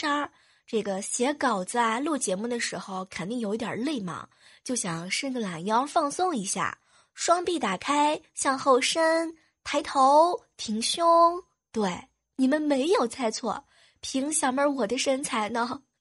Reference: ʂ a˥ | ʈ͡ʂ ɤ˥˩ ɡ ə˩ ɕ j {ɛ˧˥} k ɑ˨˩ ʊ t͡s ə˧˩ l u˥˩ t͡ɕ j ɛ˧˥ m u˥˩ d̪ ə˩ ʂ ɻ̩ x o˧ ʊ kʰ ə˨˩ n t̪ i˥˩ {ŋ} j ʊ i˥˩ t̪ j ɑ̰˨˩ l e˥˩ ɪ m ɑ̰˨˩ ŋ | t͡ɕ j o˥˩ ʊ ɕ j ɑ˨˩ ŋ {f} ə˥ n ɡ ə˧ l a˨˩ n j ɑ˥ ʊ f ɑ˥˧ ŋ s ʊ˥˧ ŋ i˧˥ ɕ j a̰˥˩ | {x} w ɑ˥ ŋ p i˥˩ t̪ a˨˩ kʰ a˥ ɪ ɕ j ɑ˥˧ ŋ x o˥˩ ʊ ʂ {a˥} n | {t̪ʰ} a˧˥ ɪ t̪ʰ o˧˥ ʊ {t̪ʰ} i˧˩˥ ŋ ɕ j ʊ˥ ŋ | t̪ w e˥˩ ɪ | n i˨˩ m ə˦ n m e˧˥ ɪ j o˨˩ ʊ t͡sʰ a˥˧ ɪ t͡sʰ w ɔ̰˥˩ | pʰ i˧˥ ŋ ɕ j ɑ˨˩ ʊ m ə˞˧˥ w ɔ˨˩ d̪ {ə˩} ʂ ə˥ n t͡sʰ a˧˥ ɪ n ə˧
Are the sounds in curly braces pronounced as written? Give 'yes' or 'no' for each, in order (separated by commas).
yes, yes, no, no, no, yes, yes, no